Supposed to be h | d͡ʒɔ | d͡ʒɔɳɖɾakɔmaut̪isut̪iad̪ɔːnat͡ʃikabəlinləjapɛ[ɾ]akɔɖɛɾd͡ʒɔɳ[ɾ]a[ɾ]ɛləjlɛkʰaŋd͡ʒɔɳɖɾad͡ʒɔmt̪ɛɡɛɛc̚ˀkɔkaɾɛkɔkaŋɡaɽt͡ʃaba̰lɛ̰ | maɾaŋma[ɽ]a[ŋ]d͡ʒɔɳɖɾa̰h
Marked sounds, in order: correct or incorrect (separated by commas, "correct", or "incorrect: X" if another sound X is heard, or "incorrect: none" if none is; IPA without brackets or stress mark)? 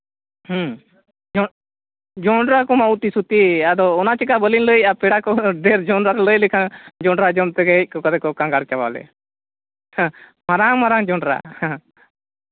incorrect: ɽ, correct, correct, incorrect: ɾ, correct